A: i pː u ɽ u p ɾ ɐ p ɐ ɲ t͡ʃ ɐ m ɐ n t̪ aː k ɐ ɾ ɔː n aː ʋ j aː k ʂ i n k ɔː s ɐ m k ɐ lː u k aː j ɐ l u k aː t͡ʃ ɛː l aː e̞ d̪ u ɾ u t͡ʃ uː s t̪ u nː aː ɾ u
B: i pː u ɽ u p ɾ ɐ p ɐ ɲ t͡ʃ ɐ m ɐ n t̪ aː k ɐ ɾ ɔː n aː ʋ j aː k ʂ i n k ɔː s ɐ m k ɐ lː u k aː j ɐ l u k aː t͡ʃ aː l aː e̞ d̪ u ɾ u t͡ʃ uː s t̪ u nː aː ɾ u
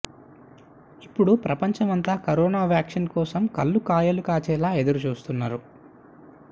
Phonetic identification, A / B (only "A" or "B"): A